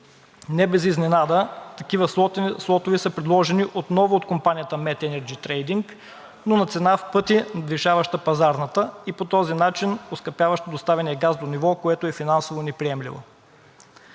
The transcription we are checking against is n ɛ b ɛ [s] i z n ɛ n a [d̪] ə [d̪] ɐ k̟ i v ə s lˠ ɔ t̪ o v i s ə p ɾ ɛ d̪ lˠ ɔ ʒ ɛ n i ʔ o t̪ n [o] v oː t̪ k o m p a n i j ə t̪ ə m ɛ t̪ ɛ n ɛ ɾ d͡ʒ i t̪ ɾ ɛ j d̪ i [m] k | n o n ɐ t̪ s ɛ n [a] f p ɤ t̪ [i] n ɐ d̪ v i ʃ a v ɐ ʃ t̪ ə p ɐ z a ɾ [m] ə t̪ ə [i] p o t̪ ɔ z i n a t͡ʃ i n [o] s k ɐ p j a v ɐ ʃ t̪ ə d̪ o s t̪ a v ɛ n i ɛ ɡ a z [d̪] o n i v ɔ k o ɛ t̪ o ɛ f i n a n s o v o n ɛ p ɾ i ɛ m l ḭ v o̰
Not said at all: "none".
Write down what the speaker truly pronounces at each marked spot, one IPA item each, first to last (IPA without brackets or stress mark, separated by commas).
z, d̪, t̪, ɔ, ŋ, a, i, n, i, o, d̪